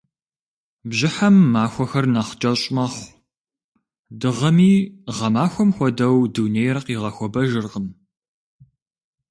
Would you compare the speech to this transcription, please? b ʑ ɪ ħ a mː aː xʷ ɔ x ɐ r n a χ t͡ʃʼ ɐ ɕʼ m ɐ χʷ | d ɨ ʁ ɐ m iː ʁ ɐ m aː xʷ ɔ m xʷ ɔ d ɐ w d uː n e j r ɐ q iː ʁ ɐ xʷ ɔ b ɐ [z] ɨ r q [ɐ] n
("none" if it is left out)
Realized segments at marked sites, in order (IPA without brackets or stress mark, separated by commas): ʒ, ə